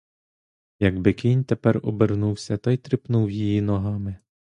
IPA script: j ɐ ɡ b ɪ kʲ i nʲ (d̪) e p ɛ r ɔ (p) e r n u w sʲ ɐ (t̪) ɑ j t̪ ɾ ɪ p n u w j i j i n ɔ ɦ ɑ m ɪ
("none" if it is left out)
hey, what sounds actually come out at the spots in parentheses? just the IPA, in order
t̪, b, t̪

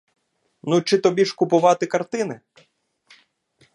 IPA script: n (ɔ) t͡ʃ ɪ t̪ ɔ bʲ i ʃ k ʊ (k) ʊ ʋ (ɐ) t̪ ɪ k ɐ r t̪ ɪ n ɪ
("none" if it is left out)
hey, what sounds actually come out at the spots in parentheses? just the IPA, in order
u, p, ɑ

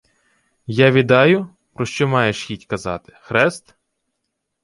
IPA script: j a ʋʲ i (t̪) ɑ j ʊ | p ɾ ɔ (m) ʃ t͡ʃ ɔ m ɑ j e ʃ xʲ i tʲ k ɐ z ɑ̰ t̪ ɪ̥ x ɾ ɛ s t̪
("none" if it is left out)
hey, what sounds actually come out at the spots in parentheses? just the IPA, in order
d̪, none

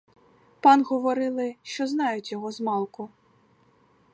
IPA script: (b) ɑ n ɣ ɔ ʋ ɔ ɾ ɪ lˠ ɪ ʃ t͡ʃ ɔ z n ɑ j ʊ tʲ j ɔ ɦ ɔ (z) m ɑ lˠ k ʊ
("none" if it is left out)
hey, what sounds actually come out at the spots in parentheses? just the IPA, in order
p, z

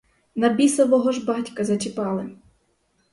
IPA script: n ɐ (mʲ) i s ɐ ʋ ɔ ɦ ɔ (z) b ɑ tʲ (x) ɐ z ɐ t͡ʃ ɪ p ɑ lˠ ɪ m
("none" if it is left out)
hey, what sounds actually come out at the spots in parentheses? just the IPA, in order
bʲ, ʒ, k

